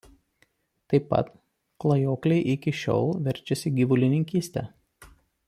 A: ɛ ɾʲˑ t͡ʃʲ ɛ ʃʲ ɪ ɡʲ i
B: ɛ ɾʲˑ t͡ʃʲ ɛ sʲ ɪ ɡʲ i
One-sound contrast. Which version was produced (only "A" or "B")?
B